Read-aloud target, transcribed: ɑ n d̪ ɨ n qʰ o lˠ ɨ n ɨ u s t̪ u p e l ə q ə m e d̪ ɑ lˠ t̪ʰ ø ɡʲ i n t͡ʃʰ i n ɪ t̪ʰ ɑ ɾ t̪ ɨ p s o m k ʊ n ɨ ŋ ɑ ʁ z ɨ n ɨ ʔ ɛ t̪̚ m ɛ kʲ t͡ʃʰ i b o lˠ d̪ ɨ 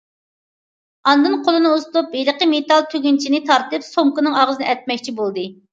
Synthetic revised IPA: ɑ n d̪ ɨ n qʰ o lˠ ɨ n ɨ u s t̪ u p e l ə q ə m e t̪ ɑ lˠ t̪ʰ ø ɡʲ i n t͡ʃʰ i n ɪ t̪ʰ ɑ ɾ t̪ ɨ p s o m k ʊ n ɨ ŋ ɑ ʁ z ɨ n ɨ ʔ ɛ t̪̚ m ɛ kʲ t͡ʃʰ i b o lˠ d̪ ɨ